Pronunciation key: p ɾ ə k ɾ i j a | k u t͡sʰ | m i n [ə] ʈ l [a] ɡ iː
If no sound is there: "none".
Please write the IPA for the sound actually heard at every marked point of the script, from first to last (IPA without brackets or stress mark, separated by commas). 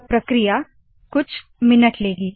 ə, e